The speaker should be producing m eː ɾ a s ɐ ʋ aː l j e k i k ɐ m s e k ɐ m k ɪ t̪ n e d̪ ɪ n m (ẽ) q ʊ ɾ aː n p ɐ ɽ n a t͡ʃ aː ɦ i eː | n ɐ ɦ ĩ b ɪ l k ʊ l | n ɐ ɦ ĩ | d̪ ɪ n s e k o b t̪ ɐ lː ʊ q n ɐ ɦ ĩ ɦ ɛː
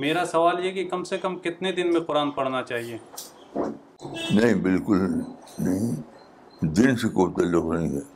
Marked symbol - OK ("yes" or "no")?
yes